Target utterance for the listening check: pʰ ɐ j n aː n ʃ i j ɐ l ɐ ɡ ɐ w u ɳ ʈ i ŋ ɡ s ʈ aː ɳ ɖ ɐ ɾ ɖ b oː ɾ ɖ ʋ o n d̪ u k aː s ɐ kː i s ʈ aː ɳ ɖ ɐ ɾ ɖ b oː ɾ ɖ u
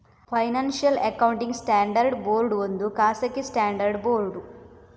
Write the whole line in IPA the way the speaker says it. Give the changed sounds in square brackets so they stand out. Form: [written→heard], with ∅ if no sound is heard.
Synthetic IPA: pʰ ɐ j n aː n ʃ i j ɐ l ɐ [ɡ→k] ɐ w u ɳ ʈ i ŋ ɡ s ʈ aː ɳ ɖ ɐ ɾ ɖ b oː ɾ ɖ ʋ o n d̪ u k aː s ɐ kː i s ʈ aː ɳ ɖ ɐ ɾ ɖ b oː ɾ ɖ u